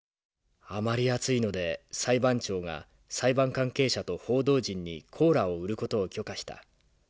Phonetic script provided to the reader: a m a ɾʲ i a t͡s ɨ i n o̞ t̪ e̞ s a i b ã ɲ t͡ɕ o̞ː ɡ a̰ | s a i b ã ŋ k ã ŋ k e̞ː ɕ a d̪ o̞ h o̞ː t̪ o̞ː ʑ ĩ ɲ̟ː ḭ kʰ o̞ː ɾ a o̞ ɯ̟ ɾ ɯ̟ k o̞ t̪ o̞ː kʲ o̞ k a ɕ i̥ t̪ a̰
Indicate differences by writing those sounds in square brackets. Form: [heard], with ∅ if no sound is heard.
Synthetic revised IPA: a m a ɾʲ i a t͡s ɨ i n o̞ [d̪] e̞ s a i b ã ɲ t͡ɕ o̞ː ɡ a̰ | s a i b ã ŋ k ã ŋ k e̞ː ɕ a [t̪] o̞ h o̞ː [d̪] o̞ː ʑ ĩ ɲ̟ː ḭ kʰ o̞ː ɾ a o̞ ɯ̟ ɾ ɯ̟ k o̞ t̪ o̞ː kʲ o̞ k a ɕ i̥ t̪ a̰